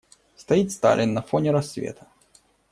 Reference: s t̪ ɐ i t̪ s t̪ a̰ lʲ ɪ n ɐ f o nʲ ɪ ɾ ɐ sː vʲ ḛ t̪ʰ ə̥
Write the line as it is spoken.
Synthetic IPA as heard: s t̪ ɐ i t̪ s t̪ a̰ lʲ ɪ nː ɐ f o nʲ ɪ ɾ ɐ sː vʲ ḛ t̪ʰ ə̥